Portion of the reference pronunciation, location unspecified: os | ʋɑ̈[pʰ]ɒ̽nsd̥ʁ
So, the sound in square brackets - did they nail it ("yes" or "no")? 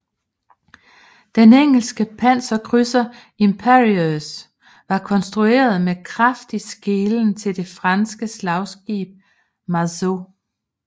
no